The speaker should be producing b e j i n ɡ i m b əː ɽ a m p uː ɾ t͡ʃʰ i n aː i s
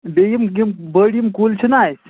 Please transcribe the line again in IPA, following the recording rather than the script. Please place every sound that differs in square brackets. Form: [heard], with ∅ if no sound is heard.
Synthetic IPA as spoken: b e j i [m] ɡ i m b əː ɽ [i] m [k] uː [l] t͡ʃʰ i n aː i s

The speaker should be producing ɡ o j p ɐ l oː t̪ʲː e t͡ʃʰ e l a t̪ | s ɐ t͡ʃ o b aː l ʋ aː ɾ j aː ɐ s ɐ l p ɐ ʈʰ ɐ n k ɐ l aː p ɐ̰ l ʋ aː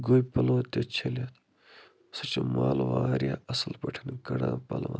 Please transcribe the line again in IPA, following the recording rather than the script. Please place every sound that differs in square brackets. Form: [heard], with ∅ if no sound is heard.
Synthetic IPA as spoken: ɡ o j p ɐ l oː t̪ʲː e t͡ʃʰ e l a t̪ | s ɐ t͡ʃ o [m] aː l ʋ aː ɾ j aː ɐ s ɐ l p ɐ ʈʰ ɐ n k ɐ [ɽ] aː p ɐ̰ l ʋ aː

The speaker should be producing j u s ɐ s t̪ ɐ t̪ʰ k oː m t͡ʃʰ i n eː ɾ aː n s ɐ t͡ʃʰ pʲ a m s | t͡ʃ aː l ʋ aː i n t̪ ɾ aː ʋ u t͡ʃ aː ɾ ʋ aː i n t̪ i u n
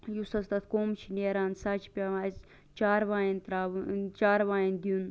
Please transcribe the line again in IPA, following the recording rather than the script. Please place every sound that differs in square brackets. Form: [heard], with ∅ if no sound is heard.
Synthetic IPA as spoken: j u s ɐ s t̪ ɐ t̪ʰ k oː m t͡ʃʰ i n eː ɾ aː n s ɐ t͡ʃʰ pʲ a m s | t͡ʃ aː [ɾ] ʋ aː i n t̪ ɾ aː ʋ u t͡ʃ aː ɾ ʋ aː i n [d̪] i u n

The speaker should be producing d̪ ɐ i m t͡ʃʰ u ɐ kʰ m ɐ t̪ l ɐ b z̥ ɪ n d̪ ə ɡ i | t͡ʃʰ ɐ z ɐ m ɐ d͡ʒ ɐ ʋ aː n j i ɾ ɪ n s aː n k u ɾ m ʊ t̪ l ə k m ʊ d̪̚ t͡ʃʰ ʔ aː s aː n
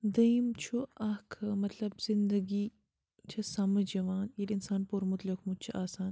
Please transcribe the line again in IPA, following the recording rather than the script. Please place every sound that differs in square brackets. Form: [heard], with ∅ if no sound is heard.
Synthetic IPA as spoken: d̪ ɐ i m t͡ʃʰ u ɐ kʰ m ɐ t̪ l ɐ b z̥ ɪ n d̪ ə ɡ i | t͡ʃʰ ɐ [s] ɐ m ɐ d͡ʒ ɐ ʋ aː n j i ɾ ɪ n s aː n [p] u ɾ m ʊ t̪ l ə k m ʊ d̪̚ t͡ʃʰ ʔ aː s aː n

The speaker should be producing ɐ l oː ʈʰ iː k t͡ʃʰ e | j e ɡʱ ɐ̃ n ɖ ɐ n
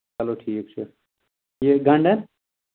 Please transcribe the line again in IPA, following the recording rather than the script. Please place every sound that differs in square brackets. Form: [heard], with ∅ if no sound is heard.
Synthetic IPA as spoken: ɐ l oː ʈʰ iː k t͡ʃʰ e | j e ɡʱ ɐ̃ [ɳ] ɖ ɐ n

